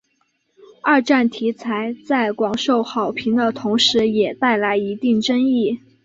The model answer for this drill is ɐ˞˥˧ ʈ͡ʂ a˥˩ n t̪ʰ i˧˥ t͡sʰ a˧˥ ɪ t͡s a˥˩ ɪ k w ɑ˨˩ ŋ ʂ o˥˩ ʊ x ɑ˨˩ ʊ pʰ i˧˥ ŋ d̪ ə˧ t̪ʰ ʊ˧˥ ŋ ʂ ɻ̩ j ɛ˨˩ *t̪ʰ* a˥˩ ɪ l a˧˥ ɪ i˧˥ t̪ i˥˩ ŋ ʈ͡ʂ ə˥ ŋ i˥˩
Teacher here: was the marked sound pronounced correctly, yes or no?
no